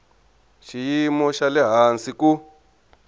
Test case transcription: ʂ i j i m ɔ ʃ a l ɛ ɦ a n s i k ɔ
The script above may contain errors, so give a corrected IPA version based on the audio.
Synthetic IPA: ʃ i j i m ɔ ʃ a l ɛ ɦ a n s i k u